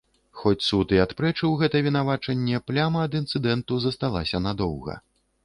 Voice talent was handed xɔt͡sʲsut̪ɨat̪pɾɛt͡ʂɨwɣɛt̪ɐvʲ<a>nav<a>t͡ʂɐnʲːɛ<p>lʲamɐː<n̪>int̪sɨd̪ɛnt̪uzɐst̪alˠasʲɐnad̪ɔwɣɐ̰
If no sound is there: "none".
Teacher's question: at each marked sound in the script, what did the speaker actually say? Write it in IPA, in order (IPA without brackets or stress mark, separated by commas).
i, a, p, d̪